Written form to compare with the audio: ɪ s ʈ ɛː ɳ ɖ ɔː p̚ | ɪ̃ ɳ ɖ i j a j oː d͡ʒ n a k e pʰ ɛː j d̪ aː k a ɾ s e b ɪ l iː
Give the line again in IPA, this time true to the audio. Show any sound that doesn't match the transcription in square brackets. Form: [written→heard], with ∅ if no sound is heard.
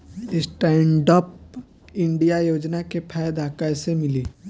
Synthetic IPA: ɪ s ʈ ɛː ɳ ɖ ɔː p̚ | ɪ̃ ɳ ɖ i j a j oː d͡ʒ n a k e pʰ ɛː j d̪ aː k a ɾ s e [b→m] ɪ l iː